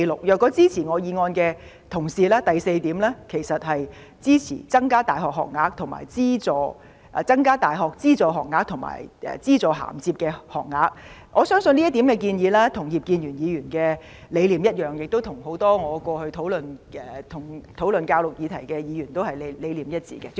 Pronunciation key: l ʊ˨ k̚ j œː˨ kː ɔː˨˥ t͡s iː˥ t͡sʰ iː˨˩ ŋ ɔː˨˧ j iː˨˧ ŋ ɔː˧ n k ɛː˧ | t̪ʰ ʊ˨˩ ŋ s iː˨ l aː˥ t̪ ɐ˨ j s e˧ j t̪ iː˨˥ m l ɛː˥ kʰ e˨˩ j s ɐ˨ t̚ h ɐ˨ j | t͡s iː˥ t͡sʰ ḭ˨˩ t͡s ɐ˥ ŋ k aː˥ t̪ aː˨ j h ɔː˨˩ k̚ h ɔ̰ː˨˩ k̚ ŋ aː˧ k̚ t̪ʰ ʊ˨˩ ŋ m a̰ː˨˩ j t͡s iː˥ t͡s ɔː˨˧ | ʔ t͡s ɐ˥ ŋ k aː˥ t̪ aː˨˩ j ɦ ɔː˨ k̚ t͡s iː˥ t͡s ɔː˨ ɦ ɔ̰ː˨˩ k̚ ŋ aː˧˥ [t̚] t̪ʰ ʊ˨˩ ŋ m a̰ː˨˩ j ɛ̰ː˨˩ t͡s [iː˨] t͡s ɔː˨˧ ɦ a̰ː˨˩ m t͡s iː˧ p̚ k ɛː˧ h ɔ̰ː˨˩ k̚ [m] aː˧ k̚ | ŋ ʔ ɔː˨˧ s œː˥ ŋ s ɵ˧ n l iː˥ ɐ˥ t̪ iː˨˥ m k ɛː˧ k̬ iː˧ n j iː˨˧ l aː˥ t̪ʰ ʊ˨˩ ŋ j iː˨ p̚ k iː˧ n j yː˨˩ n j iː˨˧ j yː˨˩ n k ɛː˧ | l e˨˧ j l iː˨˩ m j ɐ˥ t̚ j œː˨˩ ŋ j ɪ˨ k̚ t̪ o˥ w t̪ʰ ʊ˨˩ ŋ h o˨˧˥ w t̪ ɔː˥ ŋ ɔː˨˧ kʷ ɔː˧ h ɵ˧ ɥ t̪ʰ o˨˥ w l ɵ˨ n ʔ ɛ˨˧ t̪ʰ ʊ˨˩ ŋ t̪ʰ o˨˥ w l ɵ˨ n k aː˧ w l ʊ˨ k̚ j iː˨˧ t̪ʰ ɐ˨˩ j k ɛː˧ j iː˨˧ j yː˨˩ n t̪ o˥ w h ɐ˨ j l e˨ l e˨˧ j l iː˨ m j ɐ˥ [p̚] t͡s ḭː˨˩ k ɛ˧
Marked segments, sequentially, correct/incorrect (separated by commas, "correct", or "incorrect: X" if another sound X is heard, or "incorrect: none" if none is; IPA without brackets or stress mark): incorrect: k̚, incorrect: iː˥, incorrect: ŋ, incorrect: t̚